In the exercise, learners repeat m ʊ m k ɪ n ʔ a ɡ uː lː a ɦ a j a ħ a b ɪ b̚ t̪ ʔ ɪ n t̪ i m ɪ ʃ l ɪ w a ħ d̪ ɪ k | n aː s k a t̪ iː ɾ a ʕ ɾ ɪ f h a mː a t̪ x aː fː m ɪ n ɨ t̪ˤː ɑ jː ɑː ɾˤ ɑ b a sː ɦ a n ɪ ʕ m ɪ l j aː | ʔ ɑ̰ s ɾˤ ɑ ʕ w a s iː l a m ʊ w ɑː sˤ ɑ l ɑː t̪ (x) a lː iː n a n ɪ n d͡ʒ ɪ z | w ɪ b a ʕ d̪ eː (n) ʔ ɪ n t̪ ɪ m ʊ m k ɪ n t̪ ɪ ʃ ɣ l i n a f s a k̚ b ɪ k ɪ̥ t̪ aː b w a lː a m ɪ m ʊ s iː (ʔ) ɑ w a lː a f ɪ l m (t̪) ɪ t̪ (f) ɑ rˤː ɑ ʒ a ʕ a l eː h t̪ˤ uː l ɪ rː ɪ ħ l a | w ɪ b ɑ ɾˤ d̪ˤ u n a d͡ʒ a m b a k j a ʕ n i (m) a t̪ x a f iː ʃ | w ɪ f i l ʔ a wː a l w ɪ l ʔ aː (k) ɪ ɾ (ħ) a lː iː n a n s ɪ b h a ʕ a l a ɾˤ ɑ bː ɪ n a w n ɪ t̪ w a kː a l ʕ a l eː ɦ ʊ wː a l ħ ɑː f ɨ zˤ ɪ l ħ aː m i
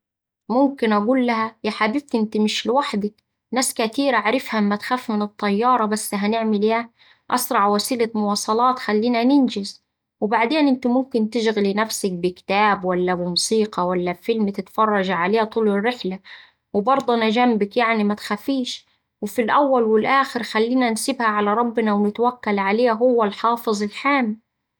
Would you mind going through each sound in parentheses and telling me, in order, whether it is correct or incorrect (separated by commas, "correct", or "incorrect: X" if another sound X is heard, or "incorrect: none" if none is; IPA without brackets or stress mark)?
correct, correct, incorrect: q, correct, correct, correct, incorrect: x, incorrect: x